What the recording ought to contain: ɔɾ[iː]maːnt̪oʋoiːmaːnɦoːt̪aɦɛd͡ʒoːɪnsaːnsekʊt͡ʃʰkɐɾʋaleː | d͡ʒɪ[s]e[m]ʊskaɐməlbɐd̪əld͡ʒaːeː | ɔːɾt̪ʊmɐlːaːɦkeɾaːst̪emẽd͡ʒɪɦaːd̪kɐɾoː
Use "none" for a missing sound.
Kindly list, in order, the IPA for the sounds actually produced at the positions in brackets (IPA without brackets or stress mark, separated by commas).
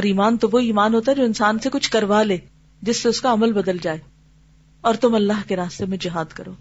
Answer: iː, sː, none